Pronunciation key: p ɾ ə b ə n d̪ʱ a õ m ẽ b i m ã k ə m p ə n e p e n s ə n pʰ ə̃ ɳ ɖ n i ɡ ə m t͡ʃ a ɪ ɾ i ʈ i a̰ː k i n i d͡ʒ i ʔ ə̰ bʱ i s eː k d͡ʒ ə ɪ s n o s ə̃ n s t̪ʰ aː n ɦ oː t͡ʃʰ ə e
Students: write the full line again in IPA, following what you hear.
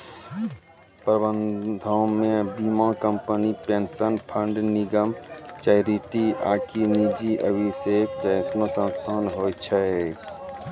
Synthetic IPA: p ɾ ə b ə n d̪ʱ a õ m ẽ b i m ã k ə m p ə n i p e n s ə n pʰ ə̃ ɳ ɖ n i ɡ ə m t͡ʃ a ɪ ɾ i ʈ i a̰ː k i n i d͡ʒ i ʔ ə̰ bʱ i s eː k d͡ʒ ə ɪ s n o s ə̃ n s t̪ʰ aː n ɦ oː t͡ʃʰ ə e